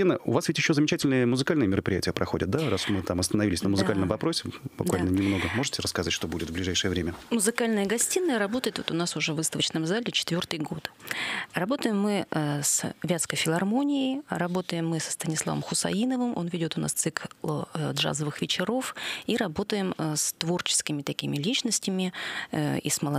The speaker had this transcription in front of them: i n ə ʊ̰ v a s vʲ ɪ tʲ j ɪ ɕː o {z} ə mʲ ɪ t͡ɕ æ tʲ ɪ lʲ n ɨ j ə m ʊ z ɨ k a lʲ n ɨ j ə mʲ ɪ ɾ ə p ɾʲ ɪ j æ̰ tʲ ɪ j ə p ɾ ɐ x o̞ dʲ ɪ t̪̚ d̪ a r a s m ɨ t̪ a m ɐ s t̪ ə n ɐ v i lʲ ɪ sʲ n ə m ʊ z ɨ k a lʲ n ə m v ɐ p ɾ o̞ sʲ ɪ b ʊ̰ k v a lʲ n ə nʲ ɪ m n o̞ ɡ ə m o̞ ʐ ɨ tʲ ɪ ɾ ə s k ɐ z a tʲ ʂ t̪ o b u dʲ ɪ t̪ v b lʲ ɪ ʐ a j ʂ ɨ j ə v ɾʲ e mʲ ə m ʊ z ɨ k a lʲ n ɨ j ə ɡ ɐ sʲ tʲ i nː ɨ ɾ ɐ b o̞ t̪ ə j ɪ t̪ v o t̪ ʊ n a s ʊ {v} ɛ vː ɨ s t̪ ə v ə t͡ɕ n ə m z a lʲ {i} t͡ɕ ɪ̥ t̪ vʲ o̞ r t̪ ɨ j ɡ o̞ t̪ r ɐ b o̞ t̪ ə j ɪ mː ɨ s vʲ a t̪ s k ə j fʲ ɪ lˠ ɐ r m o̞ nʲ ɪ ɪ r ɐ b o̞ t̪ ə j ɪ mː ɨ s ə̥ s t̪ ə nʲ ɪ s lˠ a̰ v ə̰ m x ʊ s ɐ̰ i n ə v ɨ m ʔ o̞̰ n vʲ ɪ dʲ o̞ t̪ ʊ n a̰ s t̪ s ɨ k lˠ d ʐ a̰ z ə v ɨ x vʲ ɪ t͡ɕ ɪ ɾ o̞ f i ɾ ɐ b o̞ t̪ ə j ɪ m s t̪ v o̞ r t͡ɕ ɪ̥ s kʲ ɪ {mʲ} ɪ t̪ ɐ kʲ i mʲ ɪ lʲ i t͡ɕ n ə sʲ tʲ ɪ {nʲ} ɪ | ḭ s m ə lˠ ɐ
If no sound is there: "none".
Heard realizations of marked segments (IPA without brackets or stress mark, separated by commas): z, ʐ, ɪ, mʲ, mʲ